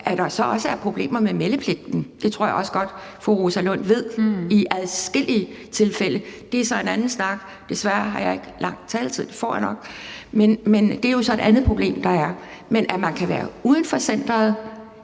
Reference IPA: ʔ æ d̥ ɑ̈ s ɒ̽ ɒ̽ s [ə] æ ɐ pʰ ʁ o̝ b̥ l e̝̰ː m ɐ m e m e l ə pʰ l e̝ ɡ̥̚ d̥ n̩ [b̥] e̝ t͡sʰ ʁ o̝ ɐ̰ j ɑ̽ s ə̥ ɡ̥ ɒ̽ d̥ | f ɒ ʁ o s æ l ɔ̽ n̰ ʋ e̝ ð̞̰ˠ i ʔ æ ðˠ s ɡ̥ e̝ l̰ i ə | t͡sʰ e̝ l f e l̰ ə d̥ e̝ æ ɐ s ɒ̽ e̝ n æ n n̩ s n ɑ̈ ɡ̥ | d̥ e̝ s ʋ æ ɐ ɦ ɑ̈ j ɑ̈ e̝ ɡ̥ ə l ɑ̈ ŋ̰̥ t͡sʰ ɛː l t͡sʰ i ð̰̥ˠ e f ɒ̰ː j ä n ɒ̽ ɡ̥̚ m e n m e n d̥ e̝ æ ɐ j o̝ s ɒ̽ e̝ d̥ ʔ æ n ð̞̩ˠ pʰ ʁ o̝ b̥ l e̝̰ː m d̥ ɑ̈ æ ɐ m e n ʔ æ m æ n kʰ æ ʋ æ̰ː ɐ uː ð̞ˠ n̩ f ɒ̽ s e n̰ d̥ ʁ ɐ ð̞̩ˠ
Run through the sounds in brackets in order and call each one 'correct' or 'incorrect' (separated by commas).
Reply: correct, incorrect